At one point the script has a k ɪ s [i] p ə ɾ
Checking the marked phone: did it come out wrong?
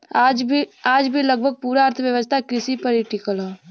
no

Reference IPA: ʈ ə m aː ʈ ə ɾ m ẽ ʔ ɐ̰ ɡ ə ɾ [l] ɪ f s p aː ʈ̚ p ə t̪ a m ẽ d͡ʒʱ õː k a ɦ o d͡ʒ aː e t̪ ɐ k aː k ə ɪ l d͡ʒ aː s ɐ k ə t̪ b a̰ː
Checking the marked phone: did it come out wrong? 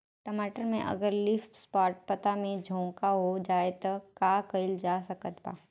no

